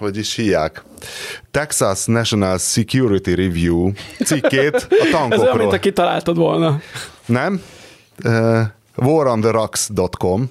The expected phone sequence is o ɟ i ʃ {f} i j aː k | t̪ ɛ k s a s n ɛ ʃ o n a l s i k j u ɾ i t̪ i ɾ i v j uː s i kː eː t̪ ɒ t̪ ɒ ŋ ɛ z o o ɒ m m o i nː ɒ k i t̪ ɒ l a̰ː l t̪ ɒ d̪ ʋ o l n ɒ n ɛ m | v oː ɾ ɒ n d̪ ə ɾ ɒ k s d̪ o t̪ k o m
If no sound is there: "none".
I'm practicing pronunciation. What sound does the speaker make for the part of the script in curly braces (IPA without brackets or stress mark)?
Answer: h